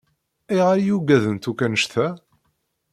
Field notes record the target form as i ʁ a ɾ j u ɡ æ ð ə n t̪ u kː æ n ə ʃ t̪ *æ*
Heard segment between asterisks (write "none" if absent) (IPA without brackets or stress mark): æ